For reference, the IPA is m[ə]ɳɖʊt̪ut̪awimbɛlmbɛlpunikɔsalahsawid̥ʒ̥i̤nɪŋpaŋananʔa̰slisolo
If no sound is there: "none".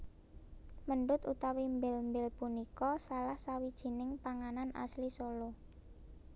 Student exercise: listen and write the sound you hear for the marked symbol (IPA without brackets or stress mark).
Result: ə